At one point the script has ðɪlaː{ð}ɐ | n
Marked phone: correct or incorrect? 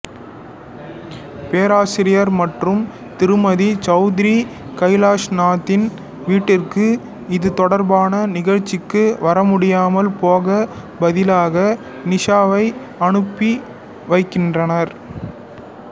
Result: incorrect